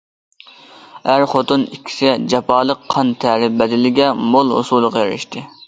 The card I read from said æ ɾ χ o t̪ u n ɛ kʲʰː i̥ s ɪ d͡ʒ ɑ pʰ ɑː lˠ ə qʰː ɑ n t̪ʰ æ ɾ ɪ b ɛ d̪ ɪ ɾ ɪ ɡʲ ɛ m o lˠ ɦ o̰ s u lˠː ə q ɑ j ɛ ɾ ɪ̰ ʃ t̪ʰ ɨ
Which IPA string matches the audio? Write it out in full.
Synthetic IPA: æ ɾ χ o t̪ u n i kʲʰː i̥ s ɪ d͡ʒ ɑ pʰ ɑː lˠ ə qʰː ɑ n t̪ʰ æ ɾ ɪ b ɛ d̪ ɪ l ɪ ɡʲ ɛ m o lˠ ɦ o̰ s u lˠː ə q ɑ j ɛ ɾ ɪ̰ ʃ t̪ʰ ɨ